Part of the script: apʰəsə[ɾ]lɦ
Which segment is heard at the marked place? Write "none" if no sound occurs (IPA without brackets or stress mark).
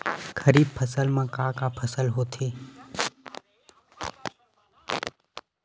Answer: none